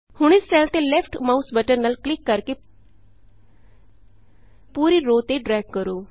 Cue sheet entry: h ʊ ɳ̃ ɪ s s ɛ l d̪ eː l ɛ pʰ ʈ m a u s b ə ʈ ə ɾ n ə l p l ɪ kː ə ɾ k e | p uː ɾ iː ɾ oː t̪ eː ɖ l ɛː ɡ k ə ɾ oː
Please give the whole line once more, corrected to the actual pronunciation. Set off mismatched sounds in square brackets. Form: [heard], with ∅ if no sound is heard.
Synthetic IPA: h ʊ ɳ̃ ɪ s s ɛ l [t̪] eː l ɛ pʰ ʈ m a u s b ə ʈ ə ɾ n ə l [k] l ɪ kː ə ɾ k e | p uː ɾ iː ɾ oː t̪ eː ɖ [ɾ] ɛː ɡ k ə ɾ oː